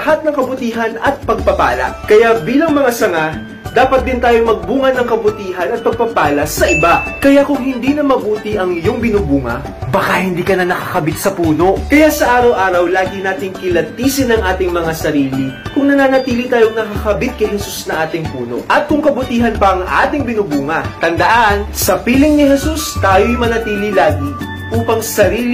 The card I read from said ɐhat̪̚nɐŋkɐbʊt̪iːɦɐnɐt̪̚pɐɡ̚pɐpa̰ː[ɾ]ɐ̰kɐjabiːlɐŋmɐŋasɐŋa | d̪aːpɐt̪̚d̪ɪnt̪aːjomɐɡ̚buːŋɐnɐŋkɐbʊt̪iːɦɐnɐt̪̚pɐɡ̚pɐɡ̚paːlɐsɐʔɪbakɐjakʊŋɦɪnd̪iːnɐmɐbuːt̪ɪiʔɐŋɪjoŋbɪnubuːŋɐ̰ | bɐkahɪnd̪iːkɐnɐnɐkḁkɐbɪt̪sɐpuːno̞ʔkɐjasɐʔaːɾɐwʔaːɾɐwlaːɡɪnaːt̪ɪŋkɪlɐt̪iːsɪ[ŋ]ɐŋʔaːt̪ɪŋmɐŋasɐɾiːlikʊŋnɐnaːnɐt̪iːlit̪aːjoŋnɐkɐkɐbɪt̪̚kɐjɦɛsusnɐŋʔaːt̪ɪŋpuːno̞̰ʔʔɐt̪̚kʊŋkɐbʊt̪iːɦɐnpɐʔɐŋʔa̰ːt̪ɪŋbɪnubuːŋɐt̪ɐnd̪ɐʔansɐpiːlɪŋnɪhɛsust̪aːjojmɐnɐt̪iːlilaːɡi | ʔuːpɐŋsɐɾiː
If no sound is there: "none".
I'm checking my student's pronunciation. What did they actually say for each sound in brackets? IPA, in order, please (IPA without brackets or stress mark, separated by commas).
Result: l, n